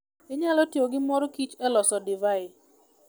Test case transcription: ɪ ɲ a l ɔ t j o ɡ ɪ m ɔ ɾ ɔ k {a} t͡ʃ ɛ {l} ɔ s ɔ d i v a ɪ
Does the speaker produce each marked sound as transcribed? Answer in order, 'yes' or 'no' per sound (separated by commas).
no, yes